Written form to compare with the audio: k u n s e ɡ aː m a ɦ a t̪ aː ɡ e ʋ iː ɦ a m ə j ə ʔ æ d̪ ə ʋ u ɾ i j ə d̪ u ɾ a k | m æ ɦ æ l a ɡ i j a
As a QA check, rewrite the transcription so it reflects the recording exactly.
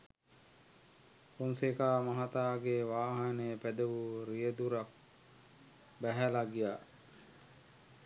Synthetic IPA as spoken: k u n s e k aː m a ɦ a t̪ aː ɡ e ʋ aː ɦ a n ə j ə p æ d̪ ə ʋ u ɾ i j ə d̪ u ɾ a k | b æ ɦ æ l a ɡ i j a